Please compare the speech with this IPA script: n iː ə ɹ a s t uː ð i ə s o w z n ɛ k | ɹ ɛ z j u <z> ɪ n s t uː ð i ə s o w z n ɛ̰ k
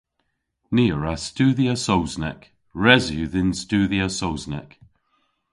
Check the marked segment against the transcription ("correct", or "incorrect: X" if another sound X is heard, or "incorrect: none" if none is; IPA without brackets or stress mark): incorrect: ð